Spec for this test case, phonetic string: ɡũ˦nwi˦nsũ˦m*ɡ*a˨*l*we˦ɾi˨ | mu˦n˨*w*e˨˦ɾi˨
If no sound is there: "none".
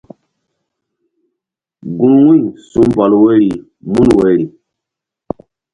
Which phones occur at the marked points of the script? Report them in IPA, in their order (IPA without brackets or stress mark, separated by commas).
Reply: b, l, w